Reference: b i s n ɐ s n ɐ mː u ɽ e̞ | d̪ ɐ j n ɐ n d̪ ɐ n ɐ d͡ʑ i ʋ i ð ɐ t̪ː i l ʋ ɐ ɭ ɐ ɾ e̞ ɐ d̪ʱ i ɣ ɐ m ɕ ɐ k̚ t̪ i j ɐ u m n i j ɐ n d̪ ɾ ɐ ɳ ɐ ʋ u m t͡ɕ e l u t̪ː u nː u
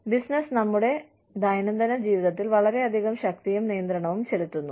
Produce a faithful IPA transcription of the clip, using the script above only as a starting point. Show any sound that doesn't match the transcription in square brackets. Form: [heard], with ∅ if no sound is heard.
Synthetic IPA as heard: b i s n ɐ s n ɐ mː u ɽ e̞ | d̪ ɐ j n ɐ n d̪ ɐ n ɐ d͡ʑ [iː] ʋ i ð ɐ t̪ː i l ʋ ɐ ɭ ɐ ɾ e̞ ɐ d̪ʱ i ɣ ɐ m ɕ ɐ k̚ t̪ i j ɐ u m n i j ɐ n d̪ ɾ ɐ ɳ ɐ ʋ u m t͡ɕ e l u t̪ː u nː u